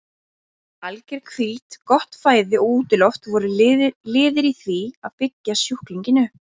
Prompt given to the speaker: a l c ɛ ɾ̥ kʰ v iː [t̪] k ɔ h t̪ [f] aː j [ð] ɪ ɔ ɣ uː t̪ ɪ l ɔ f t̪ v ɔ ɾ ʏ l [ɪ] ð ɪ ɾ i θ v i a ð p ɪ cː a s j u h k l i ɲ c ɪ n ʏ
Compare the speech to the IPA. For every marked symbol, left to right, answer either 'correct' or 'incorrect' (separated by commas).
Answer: correct, correct, correct, incorrect